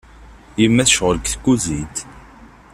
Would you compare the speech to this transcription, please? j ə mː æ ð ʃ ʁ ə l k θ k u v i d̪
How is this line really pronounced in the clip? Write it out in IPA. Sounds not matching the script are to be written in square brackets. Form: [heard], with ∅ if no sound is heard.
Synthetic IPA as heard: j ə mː æ [θ] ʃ ʁ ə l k θ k u [z] i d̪